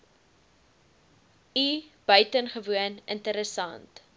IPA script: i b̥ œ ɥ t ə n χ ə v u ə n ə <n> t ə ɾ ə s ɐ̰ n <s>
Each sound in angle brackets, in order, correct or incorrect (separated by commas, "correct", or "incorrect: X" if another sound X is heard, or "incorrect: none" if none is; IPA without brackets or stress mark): correct, incorrect: t